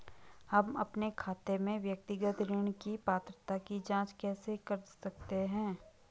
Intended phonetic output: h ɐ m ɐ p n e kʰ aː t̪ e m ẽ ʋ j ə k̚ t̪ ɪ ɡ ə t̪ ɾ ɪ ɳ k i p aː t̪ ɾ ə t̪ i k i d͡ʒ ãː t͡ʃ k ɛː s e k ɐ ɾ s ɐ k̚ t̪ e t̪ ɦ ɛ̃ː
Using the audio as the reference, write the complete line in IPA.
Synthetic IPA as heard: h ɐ m ɐ p n e kʰ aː t̪ e m ẽ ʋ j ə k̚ t̪ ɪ ɡ ə t̪ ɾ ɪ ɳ k i p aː t̪ ɾ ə t̪ a k i d͡ʒ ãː t͡ʃ k ɛː s e k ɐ ɾ s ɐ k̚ t̪ e ɦ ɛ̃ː